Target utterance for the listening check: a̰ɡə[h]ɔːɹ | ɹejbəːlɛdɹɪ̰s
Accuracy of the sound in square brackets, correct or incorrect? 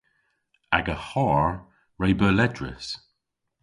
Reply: correct